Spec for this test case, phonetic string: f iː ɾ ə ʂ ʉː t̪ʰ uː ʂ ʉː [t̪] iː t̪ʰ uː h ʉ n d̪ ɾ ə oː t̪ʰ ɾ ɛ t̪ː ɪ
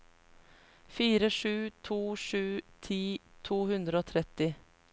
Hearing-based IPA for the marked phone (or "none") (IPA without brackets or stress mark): t̪ʰ